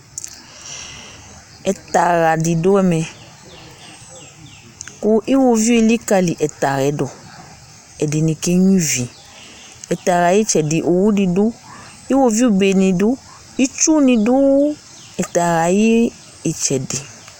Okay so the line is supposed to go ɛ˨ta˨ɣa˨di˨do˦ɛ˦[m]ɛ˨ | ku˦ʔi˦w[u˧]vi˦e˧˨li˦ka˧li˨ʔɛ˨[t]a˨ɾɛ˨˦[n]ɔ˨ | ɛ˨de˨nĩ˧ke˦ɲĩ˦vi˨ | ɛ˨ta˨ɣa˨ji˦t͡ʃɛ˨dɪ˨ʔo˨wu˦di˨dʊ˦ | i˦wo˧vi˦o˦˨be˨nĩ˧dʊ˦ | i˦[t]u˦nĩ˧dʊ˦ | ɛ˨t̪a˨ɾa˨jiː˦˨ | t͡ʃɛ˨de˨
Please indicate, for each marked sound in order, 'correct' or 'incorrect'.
correct, incorrect, correct, incorrect, incorrect

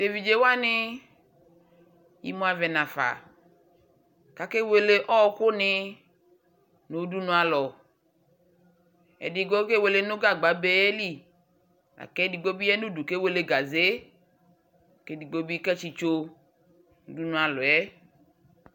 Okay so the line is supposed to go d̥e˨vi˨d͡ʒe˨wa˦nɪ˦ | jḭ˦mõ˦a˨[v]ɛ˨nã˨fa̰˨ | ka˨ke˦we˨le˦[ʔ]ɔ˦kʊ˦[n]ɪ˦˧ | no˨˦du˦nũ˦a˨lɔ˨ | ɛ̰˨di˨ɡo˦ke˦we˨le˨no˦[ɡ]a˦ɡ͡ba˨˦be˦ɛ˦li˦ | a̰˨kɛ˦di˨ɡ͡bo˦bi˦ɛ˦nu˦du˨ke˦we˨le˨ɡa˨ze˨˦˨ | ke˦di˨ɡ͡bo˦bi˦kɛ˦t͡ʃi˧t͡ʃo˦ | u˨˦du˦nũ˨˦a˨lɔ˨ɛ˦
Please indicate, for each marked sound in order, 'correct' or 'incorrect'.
correct, correct, correct, correct

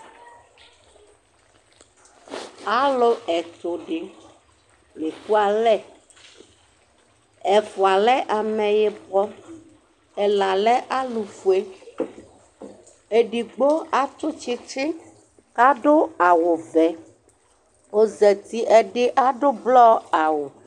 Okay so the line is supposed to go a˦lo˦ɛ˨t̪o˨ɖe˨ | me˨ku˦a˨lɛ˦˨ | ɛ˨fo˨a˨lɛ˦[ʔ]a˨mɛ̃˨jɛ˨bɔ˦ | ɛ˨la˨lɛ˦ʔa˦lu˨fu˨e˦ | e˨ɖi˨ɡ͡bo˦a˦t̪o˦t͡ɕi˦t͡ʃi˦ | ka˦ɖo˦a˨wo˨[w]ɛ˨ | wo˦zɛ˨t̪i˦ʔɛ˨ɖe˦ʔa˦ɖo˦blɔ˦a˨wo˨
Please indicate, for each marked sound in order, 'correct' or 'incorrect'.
correct, incorrect

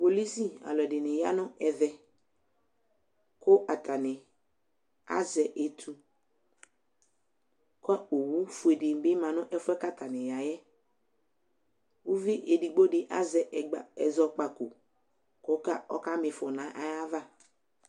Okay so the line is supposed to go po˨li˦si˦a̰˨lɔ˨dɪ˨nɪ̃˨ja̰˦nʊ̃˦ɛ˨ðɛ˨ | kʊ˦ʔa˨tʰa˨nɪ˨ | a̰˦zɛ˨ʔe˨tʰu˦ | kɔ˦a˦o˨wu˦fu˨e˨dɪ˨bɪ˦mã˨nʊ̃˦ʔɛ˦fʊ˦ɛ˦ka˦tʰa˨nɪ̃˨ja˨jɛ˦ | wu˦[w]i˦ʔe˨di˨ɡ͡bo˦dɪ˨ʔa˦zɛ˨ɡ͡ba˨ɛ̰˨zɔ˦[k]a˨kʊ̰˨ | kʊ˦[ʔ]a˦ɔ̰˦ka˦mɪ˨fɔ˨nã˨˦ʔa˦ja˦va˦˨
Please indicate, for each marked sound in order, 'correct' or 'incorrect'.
incorrect, incorrect, incorrect

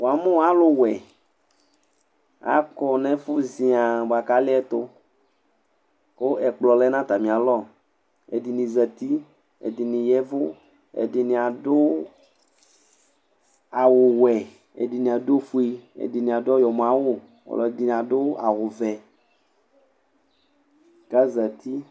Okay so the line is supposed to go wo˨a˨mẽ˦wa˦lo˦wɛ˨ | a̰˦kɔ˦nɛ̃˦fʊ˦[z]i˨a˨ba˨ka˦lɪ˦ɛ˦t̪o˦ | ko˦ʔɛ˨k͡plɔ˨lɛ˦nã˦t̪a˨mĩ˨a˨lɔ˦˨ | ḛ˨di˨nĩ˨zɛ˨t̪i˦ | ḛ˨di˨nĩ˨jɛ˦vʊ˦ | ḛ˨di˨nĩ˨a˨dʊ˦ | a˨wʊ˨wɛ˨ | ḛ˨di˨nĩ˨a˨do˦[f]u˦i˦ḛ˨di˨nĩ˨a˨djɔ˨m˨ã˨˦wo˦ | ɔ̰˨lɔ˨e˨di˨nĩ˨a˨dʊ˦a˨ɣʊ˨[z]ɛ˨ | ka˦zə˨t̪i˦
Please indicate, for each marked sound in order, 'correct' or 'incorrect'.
correct, correct, incorrect

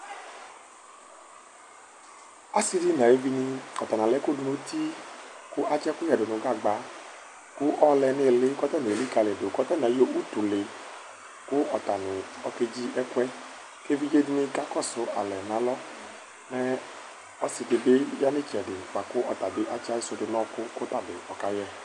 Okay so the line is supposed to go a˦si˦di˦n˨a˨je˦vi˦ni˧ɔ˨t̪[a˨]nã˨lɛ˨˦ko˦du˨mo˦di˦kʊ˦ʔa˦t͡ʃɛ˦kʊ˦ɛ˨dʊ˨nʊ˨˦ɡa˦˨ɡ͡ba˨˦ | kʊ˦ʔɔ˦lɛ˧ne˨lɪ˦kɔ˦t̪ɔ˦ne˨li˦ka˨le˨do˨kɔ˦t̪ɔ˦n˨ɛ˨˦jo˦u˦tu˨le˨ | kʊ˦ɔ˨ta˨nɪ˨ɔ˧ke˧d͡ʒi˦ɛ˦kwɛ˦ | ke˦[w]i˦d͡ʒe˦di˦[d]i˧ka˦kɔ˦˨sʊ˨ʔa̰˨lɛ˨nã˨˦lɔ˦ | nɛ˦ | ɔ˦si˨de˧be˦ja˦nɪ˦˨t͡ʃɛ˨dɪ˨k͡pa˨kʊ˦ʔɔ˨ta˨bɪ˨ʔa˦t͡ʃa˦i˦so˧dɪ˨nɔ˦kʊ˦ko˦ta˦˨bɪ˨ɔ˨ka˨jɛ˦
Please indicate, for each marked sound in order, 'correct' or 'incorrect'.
correct, incorrect, incorrect

